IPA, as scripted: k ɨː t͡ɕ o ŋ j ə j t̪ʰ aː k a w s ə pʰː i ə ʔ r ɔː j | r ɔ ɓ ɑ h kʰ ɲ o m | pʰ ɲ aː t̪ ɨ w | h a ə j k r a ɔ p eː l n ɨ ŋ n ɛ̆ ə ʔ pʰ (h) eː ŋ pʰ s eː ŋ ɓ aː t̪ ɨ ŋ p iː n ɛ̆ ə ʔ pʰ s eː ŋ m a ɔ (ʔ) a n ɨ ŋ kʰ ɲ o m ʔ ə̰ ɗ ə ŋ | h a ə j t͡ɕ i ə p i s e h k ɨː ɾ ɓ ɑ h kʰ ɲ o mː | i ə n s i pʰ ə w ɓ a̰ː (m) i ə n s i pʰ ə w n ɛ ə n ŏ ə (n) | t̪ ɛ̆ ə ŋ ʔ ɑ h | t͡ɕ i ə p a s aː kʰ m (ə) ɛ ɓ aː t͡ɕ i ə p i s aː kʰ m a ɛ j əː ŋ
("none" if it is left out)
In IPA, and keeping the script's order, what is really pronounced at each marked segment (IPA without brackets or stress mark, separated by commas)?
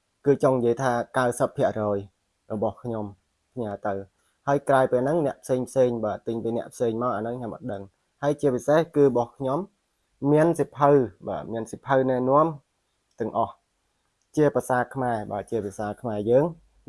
s, ʔ, m, m, a